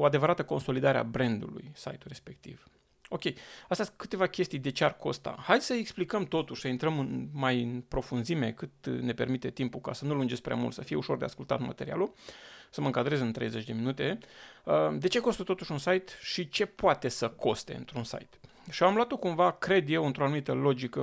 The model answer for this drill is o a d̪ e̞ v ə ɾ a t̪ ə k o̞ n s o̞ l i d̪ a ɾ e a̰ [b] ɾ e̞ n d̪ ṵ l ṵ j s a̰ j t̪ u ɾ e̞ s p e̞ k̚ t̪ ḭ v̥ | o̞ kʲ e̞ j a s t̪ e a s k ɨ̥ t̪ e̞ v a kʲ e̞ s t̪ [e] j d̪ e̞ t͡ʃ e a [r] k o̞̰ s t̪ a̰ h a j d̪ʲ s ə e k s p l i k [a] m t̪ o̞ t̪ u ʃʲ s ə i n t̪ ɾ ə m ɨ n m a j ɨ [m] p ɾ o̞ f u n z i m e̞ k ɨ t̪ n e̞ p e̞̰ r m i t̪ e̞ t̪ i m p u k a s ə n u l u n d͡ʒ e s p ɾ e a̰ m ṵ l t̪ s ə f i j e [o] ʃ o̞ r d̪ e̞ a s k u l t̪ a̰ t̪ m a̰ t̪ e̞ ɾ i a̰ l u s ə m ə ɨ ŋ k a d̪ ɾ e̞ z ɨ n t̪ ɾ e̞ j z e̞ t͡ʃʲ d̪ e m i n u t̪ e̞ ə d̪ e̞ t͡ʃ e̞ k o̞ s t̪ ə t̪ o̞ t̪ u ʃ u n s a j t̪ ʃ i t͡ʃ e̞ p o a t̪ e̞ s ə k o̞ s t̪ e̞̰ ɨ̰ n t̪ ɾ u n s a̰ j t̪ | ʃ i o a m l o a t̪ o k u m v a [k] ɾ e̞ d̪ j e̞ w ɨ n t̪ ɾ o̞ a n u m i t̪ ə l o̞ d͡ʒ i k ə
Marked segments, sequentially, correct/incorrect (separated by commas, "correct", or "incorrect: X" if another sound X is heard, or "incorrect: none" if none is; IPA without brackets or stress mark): correct, incorrect: i, correct, incorrect: ə, incorrect: n, incorrect: u, correct